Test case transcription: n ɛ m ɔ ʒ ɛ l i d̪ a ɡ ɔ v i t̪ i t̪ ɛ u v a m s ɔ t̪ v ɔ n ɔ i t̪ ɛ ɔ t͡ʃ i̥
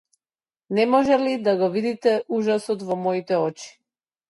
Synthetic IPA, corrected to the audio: n ɛ m ɔ ʒ ɛ l i d̪ a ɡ ɔ v i d̪ i t̪ ɛ u ʒ a s ɔ t̪ v ɔ m ɔ i t̪ ɛ ɔ t͡ʃ i̥